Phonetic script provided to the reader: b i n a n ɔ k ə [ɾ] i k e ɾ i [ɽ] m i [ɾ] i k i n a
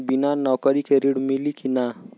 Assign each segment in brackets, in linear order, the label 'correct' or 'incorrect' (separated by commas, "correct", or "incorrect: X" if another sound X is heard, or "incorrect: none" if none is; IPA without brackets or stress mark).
correct, correct, incorrect: l